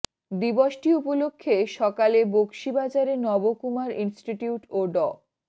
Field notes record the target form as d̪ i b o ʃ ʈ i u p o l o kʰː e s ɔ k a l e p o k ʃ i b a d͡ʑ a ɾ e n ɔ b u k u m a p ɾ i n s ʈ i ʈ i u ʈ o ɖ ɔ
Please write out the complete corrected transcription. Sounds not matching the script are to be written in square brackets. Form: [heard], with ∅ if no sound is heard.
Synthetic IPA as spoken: d̪ i b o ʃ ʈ i u p o l o kʰː e [ʃ] ɔ k a l e [b] o k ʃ i b a d͡ʑ a ɾ e n ɔ b [o] k u m a [∅] ɾ i n s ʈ i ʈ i u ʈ o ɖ ɔ

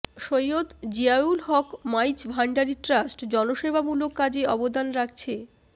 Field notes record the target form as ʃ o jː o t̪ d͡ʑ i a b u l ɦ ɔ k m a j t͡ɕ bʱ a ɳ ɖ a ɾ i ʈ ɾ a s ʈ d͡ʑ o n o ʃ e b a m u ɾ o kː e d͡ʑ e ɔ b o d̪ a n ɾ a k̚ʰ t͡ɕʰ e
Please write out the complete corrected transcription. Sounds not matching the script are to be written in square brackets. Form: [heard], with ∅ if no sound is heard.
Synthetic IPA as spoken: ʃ o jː o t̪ d͡ʑ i a [∅] u l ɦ ɔ k m a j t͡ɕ bʱ a ɳ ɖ a ɾ i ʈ ɾ a s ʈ d͡ʑ [ɔ] n o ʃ e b a m u [l] o kː [a] d͡ʑ e ɔ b o d̪ a n ɾ a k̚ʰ t͡ɕʰ e

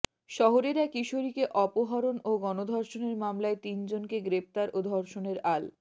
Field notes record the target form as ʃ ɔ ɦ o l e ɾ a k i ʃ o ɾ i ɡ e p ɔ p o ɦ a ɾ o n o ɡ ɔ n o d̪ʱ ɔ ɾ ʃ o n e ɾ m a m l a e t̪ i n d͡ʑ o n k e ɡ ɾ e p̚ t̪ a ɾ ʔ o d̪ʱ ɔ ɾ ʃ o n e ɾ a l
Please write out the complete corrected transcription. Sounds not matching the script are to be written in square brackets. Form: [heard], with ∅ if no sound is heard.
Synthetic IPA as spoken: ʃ ɔ ɦ o [ɾ] e ɾ a k i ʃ o ɾ i [k] e [ʔ] ɔ p o ɦ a ɾ o n o ɡ ɔ n o d̪ʱ ɔ ɾ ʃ o n e ɾ m a m l a e t̪ i n d͡ʑ o n k e ɡ ɾ e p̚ t̪ a ɾ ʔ o d̪ʱ ɔ ɾ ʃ o n e ɾ a l

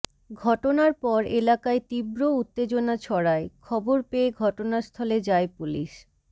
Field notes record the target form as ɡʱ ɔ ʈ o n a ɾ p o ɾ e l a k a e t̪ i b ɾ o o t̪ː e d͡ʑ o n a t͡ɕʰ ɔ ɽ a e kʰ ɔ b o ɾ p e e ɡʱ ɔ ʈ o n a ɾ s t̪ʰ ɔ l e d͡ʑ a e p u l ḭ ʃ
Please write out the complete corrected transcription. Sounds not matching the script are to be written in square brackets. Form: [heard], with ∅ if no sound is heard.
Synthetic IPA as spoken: ɡʱ ɔ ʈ o n a ɾ p [ɔ] ɾ e l a k a e t̪ i b ɾ o [u] t̪ː e d͡ʑ o n a t͡ɕʰ ɔ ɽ a e kʰ ɔ b o ɾ p e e ɡʱ ɔ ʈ o n a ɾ s t̪ʰ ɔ l e d͡ʑ a e p u l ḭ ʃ

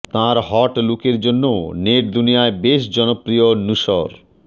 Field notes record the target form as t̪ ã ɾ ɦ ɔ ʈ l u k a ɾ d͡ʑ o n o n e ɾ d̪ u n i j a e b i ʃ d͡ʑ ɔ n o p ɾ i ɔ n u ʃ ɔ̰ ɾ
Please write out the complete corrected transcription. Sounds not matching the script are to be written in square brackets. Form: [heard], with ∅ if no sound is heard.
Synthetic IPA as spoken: t̪ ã ɾ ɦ ɔ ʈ l u k [e] ɾ d͡ʑ o [nː] o n e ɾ d̪ u n i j a e b [e] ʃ d͡ʑ ɔ n o p ɾ i [o] n u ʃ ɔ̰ ɾ

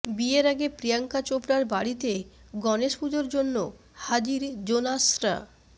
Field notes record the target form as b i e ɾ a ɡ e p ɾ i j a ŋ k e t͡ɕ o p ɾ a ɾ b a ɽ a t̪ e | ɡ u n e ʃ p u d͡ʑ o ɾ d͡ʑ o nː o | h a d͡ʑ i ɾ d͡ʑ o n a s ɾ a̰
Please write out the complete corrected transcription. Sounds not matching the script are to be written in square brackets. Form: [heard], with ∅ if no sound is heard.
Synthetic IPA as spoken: b i e ɾ a ɡ e p ɾ i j a ŋ k [a] t͡ɕ o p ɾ a ɾ b a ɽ [i] t̪ e | ɡ [ɔ] n e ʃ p u d͡ʑ o ɾ d͡ʑ o nː o | h a d͡ʑ i ɾ d͡ʑ o n a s ɾ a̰

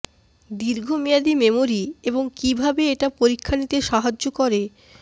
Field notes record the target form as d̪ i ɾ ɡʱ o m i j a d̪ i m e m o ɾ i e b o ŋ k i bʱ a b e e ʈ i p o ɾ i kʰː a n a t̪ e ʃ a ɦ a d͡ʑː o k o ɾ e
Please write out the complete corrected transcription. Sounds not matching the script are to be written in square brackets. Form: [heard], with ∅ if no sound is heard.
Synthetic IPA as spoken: d̪ i ɾ ɡʱ o m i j a d̪ i m e m o ɾ i e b o ŋ k i bʱ a b e e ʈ [a] p o ɾ i kʰː a n [i] t̪ e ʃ a ɦ a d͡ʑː o k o ɾ e

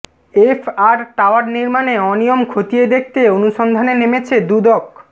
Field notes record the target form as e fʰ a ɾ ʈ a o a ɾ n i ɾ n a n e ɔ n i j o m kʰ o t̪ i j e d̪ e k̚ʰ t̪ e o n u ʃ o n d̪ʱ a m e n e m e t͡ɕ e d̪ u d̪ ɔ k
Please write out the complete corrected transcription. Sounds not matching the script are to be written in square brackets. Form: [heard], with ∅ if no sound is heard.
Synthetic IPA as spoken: e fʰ a ɾ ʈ a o a ɾ n i ɾ [m] a n e ɔ n i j o m kʰ o t̪ i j e d̪ e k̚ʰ t̪ e o n u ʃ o n d̪ʱ a [n] e n e m e [t͡ɕʰ] e d̪ u d̪ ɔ k

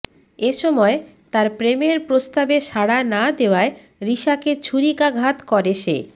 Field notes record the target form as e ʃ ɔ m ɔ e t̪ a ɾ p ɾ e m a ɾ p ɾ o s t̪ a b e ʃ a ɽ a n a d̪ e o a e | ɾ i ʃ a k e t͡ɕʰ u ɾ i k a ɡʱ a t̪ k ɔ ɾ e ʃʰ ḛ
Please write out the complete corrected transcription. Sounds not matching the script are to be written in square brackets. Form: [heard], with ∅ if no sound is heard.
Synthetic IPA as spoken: e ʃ ɔ m ɔ e t̪ a ɾ p ɾ e m [e] ɾ p ɾ o s t̪ a b e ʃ a ɽ a n a d̪ e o a e | ɾ i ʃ a k e t͡ɕʰ u ɾ i k a ɡʱ a t̪ k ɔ ɾ e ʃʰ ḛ

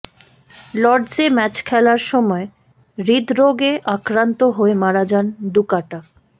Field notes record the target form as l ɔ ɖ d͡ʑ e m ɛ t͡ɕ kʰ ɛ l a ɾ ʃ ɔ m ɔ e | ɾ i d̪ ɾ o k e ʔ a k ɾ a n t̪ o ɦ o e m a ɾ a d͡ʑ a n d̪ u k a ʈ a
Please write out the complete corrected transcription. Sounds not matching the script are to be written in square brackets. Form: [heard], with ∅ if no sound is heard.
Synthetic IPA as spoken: l ɔ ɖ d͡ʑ e m ɛ t͡ɕ kʰ ɛ l a ɾ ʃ ɔ m ɔ e | ɾ i d̪ ɾ o [ɡ] e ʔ a k ɾ a n t̪ o ɦ o e m a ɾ a d͡ʑ a n d̪ u k a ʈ a

